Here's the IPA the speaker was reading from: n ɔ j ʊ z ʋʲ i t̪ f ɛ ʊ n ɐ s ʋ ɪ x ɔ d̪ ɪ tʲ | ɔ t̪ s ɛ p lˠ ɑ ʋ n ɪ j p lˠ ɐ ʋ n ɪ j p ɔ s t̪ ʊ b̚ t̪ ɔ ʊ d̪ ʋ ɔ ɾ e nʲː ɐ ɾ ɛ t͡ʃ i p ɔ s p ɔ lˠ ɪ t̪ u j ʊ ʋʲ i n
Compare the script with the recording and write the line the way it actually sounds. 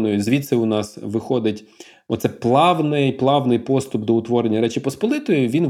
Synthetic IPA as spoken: n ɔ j ʊ z ʋʲ i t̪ s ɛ ʊ n ɑ s ʋ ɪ x ɔ d̪ ɪ tʲ | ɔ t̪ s ɛ p lˠ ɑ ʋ n ɪ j p lˠ ɑ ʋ n ɪ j p ɔ s t̪ ʊ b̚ d̪ ɔ ʊ t̪ ʋ ɔ ɾ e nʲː ɐ ɾ ɛ t͡ʃ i p ɔ s p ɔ lˠ ɪ t̪ ɔ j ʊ ʋʲ i n